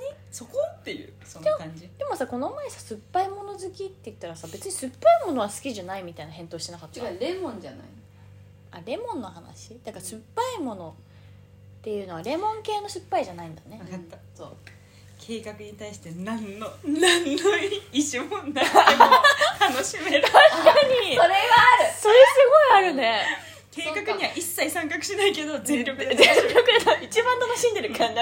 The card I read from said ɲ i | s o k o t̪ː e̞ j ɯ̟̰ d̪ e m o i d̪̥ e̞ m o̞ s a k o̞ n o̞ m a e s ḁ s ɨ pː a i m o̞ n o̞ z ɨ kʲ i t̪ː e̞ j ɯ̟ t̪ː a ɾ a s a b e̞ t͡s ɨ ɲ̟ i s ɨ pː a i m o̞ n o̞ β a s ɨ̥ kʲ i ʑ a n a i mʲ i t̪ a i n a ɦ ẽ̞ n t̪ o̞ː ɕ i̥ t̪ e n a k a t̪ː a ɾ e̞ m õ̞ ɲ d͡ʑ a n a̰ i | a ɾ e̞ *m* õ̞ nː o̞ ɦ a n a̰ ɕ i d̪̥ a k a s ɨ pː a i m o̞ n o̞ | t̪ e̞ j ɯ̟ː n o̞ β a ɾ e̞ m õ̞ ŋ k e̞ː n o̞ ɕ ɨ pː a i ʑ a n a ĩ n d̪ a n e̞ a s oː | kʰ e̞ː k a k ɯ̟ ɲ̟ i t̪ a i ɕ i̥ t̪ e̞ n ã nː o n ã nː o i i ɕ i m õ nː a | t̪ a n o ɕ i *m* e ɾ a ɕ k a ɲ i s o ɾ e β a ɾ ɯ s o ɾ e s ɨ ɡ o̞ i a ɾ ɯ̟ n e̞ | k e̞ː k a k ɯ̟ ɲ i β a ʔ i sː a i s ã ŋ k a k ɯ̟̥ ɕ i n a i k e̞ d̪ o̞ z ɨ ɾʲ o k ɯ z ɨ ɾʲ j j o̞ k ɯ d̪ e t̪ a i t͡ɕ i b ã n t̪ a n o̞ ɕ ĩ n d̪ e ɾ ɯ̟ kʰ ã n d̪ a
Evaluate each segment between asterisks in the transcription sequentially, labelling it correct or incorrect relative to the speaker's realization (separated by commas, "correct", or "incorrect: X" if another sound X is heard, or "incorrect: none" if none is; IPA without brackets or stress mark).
correct, correct